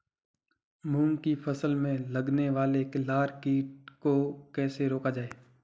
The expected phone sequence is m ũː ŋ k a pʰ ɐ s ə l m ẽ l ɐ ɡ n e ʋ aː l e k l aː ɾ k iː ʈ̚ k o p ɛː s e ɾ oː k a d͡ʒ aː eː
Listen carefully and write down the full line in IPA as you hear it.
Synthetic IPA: m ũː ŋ k i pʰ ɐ s ə l m ẽ l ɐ ɡ n e ʋ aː l e k l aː ɾ k iː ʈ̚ k o k ɛː s e ɾ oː k a d͡ʒ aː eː